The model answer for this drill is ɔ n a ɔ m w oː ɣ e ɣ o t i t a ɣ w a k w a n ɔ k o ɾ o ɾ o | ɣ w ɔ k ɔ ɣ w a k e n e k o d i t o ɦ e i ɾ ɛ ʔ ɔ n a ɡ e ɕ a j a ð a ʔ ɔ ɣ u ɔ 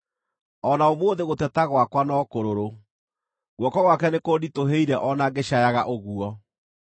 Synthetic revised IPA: ɔ n a o m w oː ð e ɣ o t ɛ t a ɣ w a k w a n ɔ k o ɾ o ɾ o | ɣ w ɔ k ɔ ɣ w a k ɛ n e k o d i t o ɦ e i ɾ ɛ ʔ ɔ n a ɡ e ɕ a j a ɣ a ʔ o ɣ u ɔ